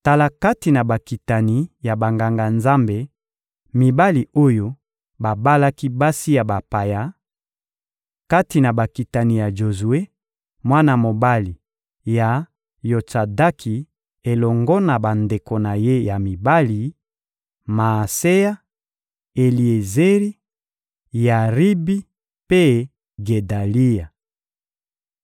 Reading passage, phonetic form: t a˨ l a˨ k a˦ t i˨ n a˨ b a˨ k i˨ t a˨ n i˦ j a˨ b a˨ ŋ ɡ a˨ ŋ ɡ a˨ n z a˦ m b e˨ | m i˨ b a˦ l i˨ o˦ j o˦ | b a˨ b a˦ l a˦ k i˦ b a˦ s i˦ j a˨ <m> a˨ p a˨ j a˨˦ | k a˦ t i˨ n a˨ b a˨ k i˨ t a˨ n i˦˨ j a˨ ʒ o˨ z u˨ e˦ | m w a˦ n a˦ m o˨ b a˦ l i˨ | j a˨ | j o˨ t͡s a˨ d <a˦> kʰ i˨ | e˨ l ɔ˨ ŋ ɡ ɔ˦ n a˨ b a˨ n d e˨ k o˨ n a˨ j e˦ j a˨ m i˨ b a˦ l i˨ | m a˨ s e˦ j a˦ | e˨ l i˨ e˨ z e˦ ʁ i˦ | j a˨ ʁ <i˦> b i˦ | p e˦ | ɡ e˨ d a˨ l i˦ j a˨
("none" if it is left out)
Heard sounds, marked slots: b, a˦, i˦

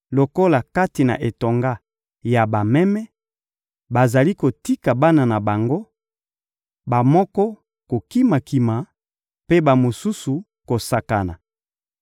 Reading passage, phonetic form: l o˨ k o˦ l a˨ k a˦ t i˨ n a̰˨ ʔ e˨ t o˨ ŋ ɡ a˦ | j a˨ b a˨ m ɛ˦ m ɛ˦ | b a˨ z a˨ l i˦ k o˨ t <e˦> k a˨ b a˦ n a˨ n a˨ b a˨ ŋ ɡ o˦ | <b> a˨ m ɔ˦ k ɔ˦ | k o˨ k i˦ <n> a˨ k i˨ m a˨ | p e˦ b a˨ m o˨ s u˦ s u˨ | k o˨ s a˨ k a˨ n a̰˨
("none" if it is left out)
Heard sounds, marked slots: i˦, b, m

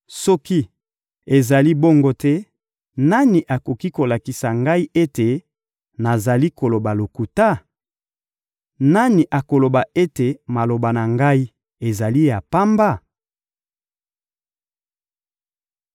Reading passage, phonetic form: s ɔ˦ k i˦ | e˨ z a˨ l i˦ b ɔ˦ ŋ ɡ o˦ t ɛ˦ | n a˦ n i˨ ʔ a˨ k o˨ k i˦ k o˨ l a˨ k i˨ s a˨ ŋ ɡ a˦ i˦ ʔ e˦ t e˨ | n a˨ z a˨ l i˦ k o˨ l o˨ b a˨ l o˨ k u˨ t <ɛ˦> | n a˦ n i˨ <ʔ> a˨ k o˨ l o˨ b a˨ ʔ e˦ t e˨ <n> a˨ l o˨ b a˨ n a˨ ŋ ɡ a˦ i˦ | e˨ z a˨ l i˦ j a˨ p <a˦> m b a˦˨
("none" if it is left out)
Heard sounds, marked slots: a˦, ʔ, m, a˦

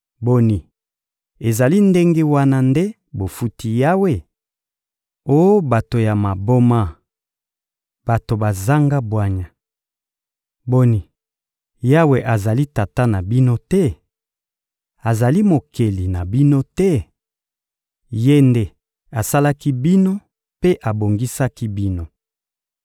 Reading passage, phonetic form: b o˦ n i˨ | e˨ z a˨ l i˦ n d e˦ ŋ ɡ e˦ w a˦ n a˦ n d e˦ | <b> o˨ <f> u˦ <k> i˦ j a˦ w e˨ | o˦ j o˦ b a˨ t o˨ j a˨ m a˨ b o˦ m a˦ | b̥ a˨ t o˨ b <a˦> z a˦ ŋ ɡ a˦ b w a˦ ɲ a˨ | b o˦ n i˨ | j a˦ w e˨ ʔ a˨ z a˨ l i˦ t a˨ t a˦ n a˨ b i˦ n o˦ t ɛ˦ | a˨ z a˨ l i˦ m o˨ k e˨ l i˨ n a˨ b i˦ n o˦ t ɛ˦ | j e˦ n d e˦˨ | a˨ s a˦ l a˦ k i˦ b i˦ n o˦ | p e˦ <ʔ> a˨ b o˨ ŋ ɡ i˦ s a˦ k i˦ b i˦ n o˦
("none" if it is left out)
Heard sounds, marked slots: b, f, t, a˨, ʔ

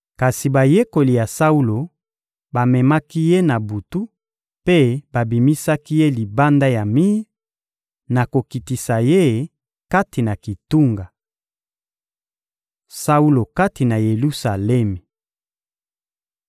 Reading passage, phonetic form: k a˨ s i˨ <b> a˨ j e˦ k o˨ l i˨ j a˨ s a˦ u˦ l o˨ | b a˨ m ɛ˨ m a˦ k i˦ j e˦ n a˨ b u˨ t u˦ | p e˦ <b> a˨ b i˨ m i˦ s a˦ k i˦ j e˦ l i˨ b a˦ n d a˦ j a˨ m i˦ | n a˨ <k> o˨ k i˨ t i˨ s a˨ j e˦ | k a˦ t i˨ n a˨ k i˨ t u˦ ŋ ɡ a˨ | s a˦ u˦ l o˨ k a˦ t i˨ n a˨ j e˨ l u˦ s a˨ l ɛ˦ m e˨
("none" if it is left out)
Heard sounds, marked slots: b, b, k

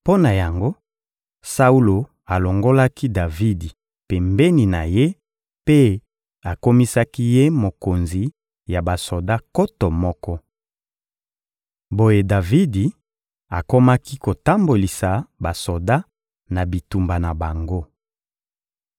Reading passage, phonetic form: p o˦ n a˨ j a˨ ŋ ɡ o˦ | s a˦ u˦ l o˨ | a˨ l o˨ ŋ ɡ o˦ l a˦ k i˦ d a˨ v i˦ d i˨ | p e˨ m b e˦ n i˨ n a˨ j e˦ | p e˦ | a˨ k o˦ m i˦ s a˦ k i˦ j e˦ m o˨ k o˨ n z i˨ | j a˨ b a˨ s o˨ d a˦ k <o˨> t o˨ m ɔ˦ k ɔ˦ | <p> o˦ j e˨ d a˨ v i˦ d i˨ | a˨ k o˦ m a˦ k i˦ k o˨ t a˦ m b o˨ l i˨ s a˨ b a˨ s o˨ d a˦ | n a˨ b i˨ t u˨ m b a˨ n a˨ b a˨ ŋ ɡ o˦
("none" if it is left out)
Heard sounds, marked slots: o˦, b

